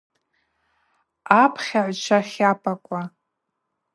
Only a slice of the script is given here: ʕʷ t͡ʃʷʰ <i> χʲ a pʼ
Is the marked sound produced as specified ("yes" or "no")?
no